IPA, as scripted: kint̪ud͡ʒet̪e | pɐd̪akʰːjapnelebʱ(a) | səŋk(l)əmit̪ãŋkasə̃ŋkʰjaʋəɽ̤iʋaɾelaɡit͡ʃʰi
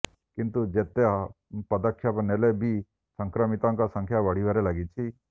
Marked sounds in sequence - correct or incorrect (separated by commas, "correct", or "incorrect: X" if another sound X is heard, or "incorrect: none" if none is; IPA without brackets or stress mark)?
incorrect: i, incorrect: ɾ